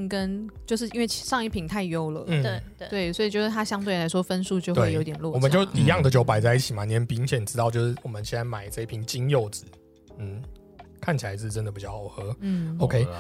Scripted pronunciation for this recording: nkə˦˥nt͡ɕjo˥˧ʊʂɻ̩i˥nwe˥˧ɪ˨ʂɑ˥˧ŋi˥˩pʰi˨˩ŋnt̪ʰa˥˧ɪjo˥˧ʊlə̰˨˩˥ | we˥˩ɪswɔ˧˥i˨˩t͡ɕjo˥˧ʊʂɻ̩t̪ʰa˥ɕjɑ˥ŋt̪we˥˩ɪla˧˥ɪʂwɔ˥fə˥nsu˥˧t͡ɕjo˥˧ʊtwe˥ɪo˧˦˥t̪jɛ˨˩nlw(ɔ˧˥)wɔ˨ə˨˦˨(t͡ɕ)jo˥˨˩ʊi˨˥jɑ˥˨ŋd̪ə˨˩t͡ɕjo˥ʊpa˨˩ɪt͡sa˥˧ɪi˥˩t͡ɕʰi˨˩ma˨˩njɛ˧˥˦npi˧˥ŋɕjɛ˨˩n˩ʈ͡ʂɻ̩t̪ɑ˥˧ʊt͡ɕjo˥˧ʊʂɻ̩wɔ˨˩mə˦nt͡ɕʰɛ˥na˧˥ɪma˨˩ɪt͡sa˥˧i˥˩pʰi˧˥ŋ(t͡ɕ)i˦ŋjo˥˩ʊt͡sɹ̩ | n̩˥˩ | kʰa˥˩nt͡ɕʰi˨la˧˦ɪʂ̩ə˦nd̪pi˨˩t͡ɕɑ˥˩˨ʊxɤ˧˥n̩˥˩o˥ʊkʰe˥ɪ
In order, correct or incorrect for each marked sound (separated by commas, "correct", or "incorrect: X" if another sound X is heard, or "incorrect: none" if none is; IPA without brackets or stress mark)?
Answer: incorrect: ɔ˥˧, correct, correct